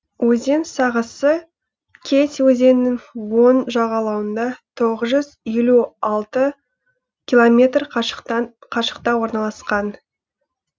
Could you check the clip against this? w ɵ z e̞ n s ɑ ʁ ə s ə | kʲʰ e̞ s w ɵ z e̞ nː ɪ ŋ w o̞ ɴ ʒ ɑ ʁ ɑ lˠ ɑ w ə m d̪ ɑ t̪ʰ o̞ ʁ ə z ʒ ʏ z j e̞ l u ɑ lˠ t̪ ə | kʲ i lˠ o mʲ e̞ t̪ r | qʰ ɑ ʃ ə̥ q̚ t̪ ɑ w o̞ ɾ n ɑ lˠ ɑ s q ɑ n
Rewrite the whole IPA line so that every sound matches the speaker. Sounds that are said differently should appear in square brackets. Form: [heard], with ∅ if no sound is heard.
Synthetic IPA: w ɵ z e̞ n s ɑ ʁ ə s ə | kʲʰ e̞ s w ɵ z e̞ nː ɪ ŋ w o̞ [n] ʒ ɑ ʁ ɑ lˠ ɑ w ə [n] d̪ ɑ t̪ʰ o̞ ʁ ə z ʒ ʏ z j e̞ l u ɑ lˠ t̪ ə | kʲ i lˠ o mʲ e̞ t̪ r | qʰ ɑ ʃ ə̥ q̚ t̪ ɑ w o̞ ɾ n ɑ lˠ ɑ s q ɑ n